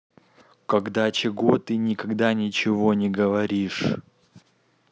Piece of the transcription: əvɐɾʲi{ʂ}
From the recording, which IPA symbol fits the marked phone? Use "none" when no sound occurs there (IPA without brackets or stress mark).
ʂ